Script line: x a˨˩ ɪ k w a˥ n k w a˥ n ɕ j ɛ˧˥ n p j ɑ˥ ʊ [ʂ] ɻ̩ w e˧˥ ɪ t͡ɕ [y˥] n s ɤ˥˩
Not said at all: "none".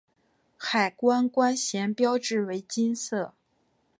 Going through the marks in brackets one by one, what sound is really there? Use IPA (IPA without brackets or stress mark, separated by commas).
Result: ʈ͡ʂ, i˥